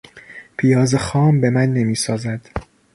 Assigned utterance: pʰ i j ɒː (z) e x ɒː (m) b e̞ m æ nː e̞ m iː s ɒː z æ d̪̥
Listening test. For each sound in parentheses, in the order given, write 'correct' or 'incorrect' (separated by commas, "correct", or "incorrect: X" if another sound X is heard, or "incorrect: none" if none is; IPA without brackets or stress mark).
correct, correct